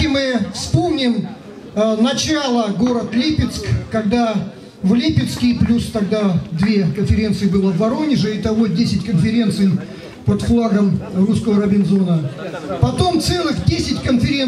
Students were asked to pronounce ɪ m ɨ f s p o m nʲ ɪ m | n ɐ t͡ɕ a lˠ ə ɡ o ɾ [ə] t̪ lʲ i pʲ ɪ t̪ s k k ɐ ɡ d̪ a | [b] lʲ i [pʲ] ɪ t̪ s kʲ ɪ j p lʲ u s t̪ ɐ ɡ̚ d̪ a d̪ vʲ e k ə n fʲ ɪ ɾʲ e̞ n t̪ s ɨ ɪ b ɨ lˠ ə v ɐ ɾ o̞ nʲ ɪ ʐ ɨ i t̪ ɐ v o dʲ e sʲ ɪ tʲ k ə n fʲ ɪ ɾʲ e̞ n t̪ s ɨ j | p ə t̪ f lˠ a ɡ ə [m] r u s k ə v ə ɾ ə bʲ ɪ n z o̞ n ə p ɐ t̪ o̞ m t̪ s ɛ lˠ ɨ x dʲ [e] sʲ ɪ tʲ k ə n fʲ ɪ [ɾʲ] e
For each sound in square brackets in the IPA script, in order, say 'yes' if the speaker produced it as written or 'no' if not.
yes, no, yes, yes, yes, yes

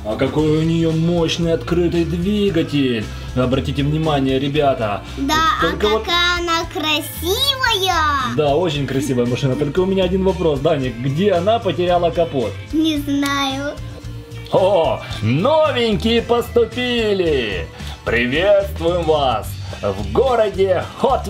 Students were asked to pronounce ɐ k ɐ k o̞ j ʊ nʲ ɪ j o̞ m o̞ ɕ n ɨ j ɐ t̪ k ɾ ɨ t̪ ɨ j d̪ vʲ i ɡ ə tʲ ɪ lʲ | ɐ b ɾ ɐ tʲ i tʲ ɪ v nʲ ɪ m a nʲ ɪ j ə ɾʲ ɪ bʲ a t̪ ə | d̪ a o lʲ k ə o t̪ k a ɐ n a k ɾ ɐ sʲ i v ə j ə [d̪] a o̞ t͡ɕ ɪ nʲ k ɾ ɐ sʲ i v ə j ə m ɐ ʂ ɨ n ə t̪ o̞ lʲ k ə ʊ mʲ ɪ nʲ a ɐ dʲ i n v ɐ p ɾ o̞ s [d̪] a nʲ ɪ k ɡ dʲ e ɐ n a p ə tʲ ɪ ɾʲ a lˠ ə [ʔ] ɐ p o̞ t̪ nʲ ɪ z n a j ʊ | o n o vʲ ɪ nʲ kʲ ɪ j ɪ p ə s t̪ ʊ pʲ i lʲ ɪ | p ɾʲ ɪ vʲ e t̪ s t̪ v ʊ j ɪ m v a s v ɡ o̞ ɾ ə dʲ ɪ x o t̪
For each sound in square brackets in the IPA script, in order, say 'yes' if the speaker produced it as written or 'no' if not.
yes, yes, no

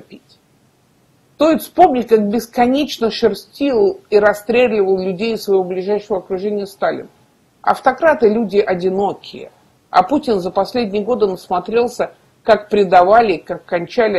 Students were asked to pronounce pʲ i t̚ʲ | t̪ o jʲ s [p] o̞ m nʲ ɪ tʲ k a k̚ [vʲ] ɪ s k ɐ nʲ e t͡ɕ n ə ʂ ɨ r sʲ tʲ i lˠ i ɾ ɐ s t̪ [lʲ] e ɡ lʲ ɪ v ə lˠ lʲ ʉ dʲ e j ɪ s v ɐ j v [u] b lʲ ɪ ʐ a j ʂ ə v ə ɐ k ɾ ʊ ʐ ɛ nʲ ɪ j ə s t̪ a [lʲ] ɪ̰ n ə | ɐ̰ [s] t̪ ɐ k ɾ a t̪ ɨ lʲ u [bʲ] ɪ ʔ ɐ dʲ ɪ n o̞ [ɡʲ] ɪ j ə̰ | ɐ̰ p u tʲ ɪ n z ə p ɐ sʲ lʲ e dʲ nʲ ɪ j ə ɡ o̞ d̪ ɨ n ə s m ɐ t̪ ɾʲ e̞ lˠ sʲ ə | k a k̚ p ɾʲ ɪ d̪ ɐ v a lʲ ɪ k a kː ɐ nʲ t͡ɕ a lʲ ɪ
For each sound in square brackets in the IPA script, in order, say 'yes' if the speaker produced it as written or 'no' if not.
yes, no, no, no, yes, no, no, no

